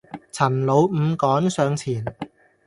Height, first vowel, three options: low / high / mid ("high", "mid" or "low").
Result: low